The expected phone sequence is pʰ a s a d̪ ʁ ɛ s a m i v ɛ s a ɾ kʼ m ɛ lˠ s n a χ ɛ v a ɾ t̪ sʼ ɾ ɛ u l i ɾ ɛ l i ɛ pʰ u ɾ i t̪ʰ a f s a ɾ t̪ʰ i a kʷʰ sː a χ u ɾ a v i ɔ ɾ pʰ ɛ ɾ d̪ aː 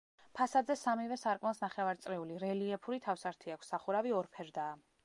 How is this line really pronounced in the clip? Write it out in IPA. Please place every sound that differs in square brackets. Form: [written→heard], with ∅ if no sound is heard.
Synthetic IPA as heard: pʰ a s a d̪ [ʁ→z] ɛ s a m i v ɛ s a ɾ kʼ m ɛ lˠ s n a χ ɛ v a ɾ t̪ sʼ ɾ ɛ u l i ɾ ɛ l i ɛ pʰ u ɾ i t̪ʰ a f s a ɾ t̪ʰ i a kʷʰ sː a χ u ɾ a v i ɔ ɾ pʰ ɛ ɾ d̪ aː